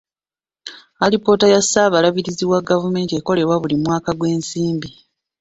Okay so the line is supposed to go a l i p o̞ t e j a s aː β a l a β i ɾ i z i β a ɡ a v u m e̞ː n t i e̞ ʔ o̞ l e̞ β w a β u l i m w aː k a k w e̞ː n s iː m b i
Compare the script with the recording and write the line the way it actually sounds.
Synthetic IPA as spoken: a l i p o̞ t a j a s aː β a l a β i ɾ i z i w a ɡ a v u m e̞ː n t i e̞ k o̞ l e̞ β w a β u l i m w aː k a ɡ w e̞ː n s iː m b i